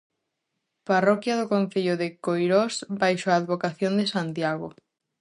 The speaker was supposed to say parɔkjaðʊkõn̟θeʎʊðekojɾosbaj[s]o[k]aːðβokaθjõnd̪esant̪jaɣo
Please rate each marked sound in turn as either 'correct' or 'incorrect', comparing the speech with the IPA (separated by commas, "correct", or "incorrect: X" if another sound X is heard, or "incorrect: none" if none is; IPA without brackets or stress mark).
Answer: incorrect: ʃ, incorrect: none